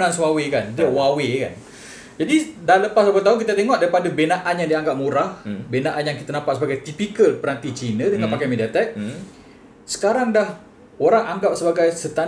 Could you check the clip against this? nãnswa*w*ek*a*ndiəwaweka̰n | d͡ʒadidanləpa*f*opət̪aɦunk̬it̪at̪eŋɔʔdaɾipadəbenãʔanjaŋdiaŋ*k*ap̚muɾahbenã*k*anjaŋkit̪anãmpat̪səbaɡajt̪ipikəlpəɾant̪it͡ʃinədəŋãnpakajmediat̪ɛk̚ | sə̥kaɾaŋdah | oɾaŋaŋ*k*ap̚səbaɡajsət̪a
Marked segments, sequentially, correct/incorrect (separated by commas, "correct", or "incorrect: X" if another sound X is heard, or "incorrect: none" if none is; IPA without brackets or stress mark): correct, correct, incorrect: s, incorrect: ɡ, incorrect: ʔ, incorrect: ɡ